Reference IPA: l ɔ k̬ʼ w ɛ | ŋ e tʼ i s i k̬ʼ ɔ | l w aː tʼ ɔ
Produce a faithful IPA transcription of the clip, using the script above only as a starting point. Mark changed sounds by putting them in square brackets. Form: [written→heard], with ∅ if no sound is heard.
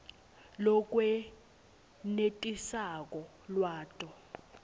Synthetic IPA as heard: l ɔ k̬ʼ w ɛ | [ŋ→n] e tʼ i s [i→a] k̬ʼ ɔ | l w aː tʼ ɔ